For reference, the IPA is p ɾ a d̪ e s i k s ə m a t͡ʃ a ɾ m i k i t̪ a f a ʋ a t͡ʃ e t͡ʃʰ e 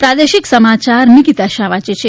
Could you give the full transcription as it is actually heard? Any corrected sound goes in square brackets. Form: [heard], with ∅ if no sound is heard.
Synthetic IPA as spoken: p ɾ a d̪ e [ʃ] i k s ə m a t͡ʃ a ɾ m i k i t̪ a [ʃ] a ʋ a t͡ʃ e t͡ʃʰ e